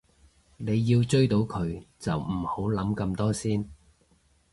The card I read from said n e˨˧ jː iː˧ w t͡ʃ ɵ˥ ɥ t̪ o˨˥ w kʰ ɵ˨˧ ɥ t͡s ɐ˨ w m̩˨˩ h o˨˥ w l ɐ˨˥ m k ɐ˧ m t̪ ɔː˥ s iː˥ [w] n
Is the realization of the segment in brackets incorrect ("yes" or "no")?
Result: yes